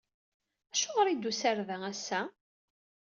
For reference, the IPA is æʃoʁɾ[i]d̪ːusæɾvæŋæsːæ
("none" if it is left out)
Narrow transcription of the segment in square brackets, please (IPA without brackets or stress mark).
i